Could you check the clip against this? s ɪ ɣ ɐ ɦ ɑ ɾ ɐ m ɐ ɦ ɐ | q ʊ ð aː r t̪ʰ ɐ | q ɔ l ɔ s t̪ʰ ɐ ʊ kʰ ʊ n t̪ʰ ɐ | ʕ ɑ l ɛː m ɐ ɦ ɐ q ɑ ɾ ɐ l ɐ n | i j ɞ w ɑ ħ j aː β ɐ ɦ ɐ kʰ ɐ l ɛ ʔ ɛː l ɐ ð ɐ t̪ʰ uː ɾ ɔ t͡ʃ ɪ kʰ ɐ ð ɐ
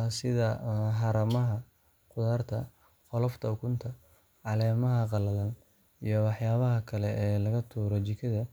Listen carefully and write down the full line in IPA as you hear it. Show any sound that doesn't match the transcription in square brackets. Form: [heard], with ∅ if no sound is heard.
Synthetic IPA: s ɪ [ð] ɐ ɦ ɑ ɾ ɐ m ɐ ɦ ɐ | q ʊ ð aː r t̪ʰ ɐ | q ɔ l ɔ [f] t̪ʰ ɐ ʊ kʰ ʊ n t̪ʰ ɐ | ʕ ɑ l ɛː m ɐ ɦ ɐ q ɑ [l] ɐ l ɐ n | i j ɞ w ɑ ħ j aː β ɐ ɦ ɐ kʰ ɐ l ɛ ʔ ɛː l ɐ [ɣ] ɐ t̪ʰ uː ɾ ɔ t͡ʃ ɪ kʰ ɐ ð ɐ